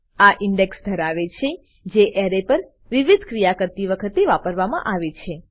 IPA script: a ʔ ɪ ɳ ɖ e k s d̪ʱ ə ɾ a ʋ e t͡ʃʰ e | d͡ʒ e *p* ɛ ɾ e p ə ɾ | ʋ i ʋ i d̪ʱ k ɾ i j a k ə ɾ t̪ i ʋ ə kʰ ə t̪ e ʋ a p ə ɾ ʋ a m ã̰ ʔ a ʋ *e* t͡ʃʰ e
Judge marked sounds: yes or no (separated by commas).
no, yes